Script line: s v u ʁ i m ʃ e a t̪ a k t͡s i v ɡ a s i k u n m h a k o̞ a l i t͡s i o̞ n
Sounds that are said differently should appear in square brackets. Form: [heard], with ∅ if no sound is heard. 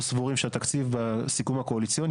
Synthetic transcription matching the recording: s v u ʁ i m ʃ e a t̪ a k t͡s i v [b] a s i k u [∅] m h a k o̞ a l i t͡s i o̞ n